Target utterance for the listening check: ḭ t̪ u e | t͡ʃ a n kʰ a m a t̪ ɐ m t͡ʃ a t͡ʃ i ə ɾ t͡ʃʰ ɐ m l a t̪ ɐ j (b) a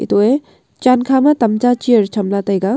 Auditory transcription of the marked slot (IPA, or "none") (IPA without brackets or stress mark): ɡ